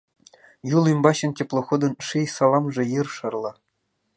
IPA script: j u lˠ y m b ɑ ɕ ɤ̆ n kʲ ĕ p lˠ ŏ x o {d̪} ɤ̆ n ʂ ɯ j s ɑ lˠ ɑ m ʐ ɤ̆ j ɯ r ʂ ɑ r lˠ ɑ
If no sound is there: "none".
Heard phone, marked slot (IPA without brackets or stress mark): d̪